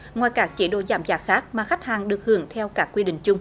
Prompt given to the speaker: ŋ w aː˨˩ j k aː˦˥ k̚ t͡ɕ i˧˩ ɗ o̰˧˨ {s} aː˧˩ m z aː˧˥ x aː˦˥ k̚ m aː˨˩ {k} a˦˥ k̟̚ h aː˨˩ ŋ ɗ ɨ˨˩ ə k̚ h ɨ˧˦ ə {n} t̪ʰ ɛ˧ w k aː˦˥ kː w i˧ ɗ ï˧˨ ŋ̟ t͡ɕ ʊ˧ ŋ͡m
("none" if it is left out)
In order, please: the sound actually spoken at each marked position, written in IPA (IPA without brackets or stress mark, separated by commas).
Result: z, x, ŋ